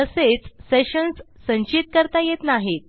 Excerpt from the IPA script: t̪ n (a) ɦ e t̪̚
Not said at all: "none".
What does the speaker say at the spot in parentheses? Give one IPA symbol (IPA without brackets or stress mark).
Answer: a